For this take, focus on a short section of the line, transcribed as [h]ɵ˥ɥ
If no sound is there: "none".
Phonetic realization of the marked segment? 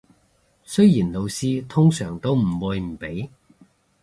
s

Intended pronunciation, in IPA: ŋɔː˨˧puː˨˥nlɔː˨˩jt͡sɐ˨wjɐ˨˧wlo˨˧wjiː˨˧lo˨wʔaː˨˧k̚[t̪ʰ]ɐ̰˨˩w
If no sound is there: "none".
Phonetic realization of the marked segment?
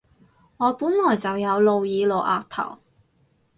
t̪ʰ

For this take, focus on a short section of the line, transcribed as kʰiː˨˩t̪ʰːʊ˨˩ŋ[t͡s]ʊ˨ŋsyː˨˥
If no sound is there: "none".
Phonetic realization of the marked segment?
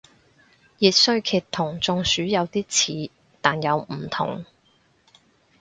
t͡s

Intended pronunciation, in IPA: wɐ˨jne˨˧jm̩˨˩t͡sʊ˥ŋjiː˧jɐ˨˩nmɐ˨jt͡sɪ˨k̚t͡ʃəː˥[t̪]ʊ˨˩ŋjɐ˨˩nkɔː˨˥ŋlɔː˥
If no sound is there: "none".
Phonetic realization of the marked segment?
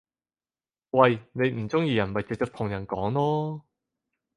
t̪ʰ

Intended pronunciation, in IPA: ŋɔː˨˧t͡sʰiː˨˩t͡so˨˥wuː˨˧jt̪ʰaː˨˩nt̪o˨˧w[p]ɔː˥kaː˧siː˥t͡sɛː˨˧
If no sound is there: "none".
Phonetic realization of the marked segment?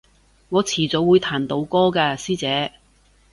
k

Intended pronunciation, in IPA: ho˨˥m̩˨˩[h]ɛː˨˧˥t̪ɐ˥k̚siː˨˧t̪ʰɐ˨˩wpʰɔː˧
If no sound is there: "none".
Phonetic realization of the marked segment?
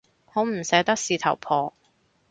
s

